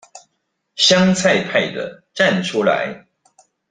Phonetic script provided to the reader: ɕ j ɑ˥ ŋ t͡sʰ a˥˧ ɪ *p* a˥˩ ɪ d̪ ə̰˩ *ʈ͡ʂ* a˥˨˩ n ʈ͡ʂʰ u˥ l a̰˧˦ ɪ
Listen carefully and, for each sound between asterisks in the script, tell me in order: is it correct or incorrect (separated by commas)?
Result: incorrect, correct